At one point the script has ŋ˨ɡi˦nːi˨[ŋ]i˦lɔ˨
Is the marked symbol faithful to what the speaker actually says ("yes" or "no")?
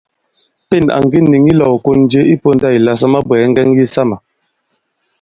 yes